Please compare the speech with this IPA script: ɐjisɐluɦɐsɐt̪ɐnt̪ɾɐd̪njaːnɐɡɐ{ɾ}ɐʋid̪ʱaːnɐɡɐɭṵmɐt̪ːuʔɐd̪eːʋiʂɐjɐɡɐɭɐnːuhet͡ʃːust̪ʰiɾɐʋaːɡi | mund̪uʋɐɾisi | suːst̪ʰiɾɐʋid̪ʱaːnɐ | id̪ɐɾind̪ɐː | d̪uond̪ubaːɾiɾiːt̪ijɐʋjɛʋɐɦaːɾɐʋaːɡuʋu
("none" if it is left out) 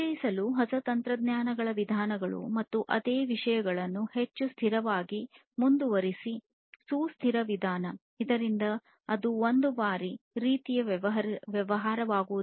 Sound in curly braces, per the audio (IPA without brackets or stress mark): ɭ